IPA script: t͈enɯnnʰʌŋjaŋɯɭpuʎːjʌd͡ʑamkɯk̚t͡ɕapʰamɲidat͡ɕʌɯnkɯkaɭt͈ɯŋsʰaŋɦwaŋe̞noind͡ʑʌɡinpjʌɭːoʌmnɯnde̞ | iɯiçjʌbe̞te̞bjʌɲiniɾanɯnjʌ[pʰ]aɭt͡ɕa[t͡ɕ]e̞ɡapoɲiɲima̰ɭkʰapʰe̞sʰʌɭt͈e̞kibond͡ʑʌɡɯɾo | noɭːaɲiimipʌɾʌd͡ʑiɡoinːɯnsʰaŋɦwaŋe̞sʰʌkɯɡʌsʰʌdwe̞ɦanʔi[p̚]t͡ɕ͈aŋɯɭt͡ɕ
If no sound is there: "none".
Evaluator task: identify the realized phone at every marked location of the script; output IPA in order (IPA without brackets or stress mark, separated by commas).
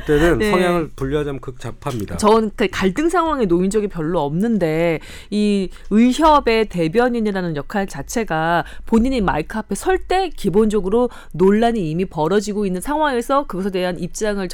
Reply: kʰ, t͡ɕʰ, p̚